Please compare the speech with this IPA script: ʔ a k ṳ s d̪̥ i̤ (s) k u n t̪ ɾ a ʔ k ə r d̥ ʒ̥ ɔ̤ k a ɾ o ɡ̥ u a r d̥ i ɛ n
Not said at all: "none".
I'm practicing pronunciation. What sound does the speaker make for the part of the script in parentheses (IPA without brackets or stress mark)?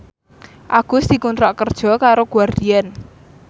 none